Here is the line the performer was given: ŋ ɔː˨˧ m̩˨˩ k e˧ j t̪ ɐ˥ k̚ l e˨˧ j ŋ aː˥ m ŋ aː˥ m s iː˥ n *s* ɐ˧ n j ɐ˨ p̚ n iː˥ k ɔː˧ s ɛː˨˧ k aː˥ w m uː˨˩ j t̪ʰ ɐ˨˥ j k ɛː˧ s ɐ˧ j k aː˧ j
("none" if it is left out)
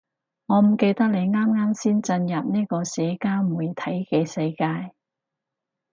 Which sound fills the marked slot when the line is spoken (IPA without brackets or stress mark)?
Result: t͡s